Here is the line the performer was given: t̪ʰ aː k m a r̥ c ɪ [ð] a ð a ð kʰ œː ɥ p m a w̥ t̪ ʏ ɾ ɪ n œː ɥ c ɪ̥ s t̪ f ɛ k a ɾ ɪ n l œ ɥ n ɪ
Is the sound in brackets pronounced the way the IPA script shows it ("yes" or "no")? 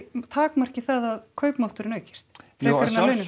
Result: no